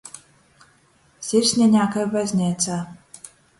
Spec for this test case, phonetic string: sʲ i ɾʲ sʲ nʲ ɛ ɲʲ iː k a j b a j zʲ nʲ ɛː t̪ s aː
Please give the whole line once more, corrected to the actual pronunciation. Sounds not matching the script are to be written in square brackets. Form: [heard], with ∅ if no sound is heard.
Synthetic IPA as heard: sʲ i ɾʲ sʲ nʲ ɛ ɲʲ [aː] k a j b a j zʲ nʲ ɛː t̪ s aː